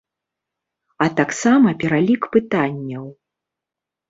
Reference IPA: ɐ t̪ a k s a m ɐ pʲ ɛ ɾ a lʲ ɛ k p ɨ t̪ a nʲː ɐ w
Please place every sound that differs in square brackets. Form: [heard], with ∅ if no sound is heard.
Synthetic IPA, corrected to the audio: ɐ t̪ a k s a m ɐ pʲ ɛ ɾ a lʲ [i] k p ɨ t̪ a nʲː ɐ w